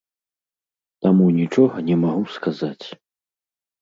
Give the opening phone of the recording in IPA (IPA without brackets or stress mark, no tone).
t̪